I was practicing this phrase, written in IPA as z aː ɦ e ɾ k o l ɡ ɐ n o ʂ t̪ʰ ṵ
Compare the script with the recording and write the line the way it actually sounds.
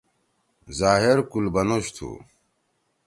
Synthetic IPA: z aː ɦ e ɾ k u l b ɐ n o ɕ t̪ʰ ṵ